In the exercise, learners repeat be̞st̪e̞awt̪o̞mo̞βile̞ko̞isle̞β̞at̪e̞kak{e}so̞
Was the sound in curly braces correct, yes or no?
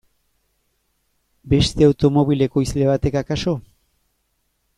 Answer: no